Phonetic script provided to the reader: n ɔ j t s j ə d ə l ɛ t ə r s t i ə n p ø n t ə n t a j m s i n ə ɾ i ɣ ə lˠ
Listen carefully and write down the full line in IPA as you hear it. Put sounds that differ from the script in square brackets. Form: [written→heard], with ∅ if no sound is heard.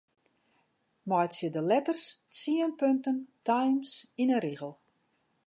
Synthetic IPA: [n→m] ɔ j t s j ə d ə l ɛ t ə r s [t→t͡s] i ə n p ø n t ə n t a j m s i n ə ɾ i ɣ ə lˠ